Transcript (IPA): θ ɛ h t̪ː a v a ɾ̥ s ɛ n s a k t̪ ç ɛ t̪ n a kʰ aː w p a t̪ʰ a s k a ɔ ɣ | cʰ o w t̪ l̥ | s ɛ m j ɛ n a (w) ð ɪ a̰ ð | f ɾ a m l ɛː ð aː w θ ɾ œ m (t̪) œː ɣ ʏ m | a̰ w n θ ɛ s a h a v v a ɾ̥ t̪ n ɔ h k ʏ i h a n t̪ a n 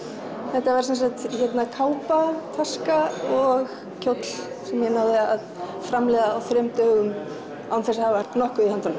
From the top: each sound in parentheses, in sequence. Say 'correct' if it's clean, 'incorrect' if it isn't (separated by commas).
correct, correct